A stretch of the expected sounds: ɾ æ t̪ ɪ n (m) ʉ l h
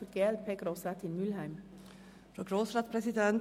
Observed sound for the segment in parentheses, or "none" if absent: m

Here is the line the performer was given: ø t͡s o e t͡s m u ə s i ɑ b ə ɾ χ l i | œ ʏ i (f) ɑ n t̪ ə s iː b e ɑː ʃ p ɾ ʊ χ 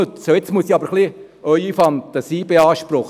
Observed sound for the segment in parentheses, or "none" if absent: f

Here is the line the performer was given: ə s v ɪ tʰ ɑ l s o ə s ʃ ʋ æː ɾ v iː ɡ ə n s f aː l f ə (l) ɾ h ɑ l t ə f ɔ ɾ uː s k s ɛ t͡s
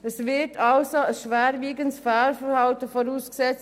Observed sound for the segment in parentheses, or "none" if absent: none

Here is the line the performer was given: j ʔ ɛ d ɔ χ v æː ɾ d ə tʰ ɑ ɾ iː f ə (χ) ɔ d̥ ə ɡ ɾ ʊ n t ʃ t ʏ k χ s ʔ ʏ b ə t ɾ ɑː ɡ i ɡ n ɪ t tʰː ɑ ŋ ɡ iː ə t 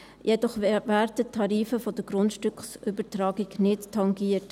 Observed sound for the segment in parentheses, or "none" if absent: f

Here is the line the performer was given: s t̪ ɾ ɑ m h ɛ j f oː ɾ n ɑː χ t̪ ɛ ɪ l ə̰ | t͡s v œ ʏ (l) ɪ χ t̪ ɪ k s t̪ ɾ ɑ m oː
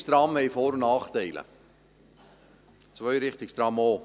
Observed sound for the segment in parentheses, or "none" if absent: ɾ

